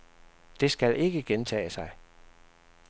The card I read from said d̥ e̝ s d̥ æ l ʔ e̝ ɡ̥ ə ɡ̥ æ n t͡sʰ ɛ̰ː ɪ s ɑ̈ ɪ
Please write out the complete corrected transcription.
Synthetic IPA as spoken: d̥ e̝ s ɡ̥ æ l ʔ e̝ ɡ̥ ə ɡ̥ e n t͡sʰ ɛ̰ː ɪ s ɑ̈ ɪ